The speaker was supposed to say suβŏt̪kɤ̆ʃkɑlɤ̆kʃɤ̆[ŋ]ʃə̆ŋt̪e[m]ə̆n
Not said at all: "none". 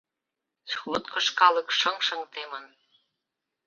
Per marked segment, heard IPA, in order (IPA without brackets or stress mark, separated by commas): ŋ, m